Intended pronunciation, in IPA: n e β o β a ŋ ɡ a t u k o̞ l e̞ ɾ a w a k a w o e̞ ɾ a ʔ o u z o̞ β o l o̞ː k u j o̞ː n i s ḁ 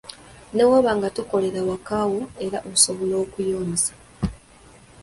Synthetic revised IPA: n e w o β a ŋ ɡ a t u k o̞ l e̞ ɾ a w a k a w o e̞ ɾ a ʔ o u s o̞ β o l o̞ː k u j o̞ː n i s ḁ